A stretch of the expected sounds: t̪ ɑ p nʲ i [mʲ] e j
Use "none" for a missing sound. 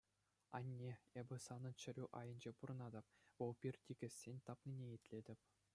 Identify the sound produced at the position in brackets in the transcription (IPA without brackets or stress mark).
nʲ